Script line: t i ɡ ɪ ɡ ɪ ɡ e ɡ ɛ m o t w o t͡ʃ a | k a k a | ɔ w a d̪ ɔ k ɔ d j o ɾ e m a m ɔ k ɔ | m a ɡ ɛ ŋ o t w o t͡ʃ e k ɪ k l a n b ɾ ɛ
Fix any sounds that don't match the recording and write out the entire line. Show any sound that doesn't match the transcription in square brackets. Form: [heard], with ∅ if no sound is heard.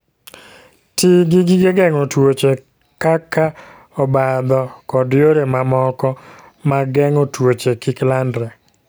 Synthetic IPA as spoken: t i ɡ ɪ ɡ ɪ ɡ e ɡ ɛ [ŋ] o t w o t͡ʃ [e] | k a k a | ɔ [b] a d̪ ɔ k ɔ d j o ɾ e m a m ɔ k ɔ | m a ɡ ɛ ŋ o t w o t͡ʃ e k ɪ k l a n [d] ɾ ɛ